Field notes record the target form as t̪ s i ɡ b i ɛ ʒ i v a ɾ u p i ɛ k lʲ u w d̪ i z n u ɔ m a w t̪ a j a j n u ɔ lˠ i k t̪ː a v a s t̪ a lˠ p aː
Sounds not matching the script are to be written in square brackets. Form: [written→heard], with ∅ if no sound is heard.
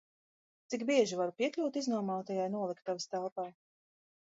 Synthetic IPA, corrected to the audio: t̪ s i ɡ b i ɛ ʒ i v a ɾ u p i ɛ k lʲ u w [d̪→t̪] i z n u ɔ m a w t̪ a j a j n u ɔ lˠ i k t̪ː a v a s t̪ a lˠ p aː